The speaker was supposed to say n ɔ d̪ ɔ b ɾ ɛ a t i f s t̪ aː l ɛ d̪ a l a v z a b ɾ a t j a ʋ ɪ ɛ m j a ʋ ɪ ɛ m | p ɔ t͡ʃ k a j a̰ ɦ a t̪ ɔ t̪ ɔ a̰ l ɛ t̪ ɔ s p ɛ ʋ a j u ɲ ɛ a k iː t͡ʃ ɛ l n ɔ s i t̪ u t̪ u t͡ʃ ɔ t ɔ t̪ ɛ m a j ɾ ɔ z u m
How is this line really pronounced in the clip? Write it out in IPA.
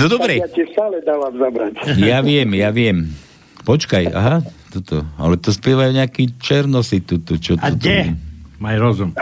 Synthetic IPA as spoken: n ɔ d̪ ɔ b ɾ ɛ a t i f s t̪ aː l ɛ d̪ a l a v z a b ɾ a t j a ʋ ɪ ɛ m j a ʋ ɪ ɛ m | p ɔ t͡ʃ k a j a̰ ɦ a t̪ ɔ t̪ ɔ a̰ l ɛ t̪ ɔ s p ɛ ʋ a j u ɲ ɛ a k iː t͡ʃ ɛ ɾ n ɔ s i t̪ u t̪ u t͡ʃ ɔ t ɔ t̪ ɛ m a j ɾ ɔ z u m